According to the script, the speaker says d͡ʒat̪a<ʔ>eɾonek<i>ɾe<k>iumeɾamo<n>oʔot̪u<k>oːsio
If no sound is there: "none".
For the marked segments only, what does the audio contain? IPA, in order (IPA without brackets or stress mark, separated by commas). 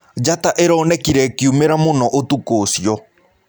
ʔ, i, k, n, k